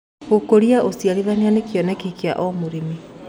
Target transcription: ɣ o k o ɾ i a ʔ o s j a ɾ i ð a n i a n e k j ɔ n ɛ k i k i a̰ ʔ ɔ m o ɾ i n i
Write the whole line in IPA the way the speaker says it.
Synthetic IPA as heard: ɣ o k o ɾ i a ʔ o s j a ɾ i ð a n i a n e k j ɔ n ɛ k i k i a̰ ʔ ɔ m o ɾ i m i